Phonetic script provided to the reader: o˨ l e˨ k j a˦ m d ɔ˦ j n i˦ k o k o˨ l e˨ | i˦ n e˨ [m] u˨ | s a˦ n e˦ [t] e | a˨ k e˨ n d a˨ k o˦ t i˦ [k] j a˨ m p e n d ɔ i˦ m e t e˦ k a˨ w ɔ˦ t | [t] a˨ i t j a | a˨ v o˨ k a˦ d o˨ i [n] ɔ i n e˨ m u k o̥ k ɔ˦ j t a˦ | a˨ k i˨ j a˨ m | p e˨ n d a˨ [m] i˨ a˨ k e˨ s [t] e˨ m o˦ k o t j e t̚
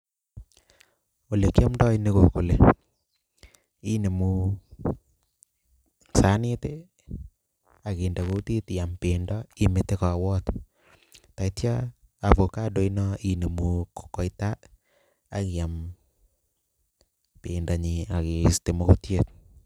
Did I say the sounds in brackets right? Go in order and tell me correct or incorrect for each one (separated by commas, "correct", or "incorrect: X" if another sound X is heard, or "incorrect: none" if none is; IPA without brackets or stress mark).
correct, correct, incorrect: t, correct, correct, incorrect: ɲ, correct